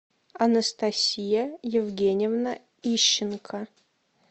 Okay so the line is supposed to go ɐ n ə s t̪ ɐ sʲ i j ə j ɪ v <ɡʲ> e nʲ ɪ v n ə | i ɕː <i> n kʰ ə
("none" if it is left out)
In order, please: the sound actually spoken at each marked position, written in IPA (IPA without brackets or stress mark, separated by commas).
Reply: ɡʲ, ɪ